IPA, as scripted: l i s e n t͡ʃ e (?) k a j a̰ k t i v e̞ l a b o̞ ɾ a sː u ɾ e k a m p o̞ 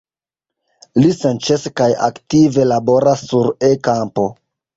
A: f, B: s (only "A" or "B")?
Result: B